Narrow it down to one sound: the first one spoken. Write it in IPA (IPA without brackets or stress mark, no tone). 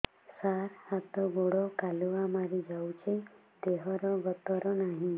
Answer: s